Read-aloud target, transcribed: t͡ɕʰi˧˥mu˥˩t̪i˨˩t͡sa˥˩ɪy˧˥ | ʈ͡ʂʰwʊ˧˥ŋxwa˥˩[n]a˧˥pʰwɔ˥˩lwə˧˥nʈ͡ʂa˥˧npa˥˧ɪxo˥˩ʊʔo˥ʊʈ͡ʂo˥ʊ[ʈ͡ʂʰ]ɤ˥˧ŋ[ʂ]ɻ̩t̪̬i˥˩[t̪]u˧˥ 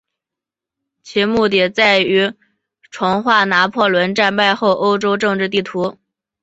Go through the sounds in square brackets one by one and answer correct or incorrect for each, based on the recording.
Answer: correct, incorrect: ʈ͡ʂ, incorrect: ʈ͡ʂ, incorrect: t̪ʰ

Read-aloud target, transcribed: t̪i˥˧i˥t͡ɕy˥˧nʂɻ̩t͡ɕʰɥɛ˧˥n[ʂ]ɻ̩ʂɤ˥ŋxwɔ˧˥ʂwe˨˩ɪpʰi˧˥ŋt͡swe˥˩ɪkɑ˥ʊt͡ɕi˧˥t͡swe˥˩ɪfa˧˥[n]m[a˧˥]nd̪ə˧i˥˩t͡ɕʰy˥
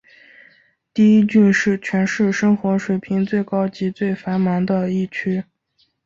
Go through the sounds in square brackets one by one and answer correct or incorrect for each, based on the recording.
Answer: correct, correct, correct

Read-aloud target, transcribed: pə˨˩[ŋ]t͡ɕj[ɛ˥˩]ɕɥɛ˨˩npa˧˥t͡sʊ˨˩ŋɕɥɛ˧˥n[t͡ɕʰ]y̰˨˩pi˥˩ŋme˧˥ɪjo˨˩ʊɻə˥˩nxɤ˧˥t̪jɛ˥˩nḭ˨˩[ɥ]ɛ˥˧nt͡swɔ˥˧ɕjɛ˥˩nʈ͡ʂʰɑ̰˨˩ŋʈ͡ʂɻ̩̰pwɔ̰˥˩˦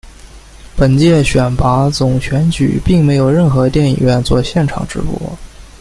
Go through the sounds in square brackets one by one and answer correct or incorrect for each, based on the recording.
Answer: incorrect: n, correct, incorrect: t͡ɕ, correct

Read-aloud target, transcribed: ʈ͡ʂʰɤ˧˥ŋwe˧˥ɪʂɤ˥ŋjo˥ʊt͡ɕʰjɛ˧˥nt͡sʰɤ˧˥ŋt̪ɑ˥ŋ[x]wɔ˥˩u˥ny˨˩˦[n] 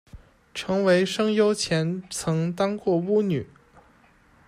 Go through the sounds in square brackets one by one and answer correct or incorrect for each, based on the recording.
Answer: incorrect: k, incorrect: none

